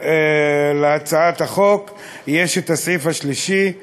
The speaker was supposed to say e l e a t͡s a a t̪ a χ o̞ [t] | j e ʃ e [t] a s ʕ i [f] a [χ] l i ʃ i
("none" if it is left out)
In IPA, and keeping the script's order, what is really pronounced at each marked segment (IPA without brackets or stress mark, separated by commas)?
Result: k, t, f, ʃ